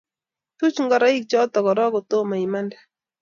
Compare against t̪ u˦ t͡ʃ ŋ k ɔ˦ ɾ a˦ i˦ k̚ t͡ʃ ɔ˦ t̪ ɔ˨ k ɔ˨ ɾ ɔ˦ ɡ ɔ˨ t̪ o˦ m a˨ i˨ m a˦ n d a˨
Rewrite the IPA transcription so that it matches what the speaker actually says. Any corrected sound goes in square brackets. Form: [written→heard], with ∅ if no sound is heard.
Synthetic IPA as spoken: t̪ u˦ t͡ʃ ŋ [k→ɡ] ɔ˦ ɾ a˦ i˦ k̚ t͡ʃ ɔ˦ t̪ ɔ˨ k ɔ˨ ɾ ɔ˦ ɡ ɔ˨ t̪ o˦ m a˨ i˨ m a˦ n d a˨